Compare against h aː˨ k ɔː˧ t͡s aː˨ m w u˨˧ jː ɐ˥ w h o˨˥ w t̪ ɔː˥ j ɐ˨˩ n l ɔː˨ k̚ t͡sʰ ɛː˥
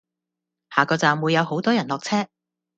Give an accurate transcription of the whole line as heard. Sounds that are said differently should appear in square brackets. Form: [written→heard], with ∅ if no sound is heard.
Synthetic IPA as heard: h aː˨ k ɔː˧ t͡s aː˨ m w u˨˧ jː [ɐ˥→ɐ˨˧] w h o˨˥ w t̪ ɔː˥ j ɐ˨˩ n l ɔː˨ k̚ t͡sʰ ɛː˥